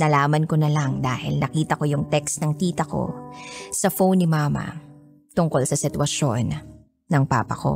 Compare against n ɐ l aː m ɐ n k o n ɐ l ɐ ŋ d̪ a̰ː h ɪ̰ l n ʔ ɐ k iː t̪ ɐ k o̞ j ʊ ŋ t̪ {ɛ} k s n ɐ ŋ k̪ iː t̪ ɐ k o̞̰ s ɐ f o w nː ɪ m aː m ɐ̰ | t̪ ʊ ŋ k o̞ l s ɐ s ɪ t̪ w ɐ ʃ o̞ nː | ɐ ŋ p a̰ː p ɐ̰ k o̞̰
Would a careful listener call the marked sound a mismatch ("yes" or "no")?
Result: no